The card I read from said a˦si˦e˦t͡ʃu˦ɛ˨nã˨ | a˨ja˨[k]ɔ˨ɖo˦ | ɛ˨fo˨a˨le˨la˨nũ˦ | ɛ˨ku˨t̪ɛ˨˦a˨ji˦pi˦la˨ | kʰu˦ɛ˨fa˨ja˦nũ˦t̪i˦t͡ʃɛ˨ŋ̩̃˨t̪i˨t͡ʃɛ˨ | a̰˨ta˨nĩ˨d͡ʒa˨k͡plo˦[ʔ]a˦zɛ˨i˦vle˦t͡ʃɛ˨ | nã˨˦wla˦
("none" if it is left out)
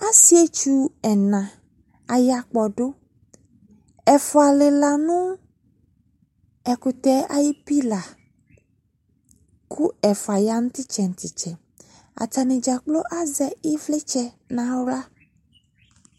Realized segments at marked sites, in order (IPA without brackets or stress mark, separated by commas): k͡p, ʔ